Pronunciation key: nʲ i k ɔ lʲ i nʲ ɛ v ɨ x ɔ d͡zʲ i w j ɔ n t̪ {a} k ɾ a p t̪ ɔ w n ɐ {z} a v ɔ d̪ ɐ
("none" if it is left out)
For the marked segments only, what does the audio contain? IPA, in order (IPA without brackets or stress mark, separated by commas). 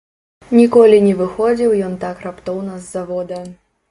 a, zː